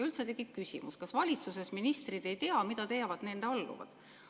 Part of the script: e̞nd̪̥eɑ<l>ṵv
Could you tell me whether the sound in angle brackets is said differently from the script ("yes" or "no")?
yes